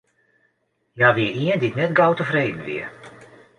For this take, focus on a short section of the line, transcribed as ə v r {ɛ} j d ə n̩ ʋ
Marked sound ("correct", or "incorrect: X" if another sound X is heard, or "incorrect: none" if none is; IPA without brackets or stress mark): incorrect: e